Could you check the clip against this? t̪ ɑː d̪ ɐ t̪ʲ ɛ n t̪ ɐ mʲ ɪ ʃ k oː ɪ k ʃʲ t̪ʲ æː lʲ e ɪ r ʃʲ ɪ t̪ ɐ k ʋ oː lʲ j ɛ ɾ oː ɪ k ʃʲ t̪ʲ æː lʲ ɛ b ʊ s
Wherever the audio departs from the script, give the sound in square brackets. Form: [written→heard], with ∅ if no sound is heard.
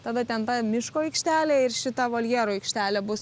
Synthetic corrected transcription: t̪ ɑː d̪ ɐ t̪ʲ ɛ n t̪ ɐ mʲ ɪ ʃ k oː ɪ k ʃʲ t̪ʲ æː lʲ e ɪ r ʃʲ ɪ t̪ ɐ [k→∅] ʋ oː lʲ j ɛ ɾ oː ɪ k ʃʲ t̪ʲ æː lʲ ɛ b ʊ s